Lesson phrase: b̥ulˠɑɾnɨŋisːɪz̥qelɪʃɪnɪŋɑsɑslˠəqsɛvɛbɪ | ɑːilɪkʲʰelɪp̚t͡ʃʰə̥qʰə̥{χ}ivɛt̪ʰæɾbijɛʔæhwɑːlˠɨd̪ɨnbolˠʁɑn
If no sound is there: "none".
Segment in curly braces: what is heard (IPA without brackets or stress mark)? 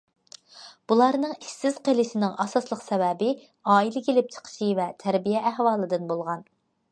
ʃ